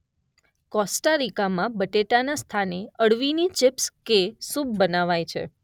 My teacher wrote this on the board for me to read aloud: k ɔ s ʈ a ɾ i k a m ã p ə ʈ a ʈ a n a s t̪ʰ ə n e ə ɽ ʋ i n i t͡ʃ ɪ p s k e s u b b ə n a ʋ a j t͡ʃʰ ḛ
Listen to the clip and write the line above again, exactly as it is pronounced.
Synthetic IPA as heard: k ɔ s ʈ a ɾ i k a m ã b ə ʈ e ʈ a n a s t̪ʰ a n e ə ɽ ʋ i n i t͡ʃ ɪ p s k e s u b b ə n a ʋ a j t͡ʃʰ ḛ